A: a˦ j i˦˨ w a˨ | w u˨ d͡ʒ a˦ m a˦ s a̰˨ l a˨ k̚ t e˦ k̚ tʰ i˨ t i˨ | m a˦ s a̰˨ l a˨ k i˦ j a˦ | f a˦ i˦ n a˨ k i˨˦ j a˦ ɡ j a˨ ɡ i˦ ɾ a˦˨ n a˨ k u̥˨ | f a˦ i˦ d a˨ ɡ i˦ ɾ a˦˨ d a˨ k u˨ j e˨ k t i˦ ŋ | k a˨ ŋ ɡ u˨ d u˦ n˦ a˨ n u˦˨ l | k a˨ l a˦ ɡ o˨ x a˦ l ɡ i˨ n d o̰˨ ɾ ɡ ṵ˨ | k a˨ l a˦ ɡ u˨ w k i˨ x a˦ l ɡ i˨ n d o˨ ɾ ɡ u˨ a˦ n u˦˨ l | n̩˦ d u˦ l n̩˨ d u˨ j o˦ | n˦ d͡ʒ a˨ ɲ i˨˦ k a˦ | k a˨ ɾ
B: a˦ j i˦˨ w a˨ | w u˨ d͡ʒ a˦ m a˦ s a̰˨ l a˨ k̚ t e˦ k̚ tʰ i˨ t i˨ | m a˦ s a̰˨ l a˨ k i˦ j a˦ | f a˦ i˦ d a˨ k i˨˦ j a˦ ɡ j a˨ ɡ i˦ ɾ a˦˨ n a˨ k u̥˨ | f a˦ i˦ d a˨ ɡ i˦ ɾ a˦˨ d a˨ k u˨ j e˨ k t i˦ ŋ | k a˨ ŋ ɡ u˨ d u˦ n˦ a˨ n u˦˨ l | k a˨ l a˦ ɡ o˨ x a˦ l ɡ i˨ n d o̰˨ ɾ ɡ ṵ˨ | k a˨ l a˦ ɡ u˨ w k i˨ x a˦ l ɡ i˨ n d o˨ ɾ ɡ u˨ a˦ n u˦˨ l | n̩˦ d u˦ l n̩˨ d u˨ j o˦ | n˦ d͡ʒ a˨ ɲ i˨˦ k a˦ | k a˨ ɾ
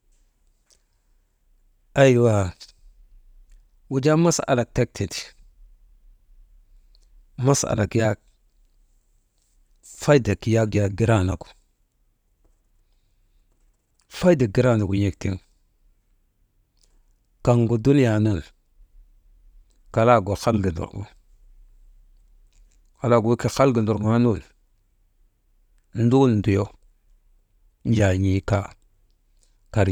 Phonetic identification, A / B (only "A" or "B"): B